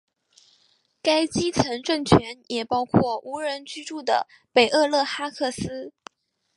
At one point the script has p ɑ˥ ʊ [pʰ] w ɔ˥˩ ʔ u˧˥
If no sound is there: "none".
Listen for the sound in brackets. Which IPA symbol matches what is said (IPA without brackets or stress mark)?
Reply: kʰ